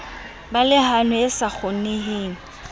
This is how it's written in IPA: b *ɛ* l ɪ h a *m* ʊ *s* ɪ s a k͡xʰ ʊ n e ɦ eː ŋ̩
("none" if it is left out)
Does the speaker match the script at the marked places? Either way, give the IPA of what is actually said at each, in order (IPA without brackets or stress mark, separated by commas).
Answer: a, n, none